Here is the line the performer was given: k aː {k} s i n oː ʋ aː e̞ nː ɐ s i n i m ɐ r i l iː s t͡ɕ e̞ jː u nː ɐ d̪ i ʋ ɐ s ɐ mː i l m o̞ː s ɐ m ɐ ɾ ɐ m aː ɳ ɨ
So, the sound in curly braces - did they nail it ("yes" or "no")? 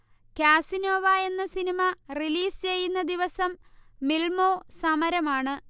no